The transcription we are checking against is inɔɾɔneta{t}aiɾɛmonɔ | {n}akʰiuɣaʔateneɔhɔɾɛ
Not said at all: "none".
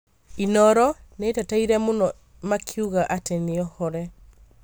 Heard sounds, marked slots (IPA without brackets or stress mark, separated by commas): t, m